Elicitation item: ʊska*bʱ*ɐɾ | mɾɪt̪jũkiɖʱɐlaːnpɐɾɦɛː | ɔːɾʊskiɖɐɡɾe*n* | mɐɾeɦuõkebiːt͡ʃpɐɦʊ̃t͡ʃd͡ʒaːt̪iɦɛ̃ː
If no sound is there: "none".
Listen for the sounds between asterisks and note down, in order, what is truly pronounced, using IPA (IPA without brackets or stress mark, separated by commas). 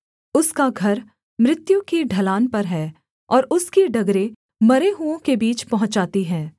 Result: ɡʱ, none